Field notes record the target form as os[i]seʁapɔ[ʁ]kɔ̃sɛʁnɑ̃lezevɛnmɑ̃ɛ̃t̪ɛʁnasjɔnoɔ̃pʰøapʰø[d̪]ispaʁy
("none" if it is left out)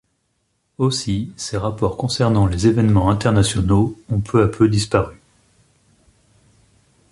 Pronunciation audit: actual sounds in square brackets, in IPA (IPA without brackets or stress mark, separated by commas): i, ʁ, d̪